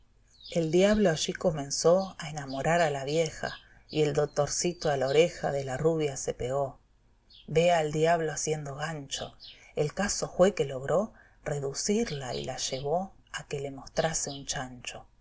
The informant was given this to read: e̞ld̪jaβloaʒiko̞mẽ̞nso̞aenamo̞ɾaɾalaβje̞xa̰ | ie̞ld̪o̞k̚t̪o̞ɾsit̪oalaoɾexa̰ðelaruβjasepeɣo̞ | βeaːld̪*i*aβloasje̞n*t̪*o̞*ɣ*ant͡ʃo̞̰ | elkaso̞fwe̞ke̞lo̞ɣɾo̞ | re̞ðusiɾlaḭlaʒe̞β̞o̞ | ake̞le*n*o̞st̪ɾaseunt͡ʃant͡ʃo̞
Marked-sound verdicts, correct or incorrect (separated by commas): incorrect, incorrect, correct, incorrect